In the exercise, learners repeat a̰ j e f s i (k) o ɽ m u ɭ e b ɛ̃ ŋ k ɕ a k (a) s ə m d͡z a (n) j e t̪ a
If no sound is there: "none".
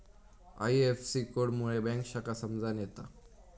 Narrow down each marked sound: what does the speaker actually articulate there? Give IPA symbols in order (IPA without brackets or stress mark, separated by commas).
k, a, n